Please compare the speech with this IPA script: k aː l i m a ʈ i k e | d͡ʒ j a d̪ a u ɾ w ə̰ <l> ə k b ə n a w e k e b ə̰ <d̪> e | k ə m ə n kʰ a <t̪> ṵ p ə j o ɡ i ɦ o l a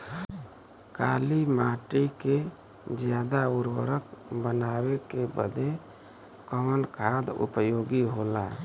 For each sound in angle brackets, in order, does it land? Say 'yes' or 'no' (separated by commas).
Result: no, yes, no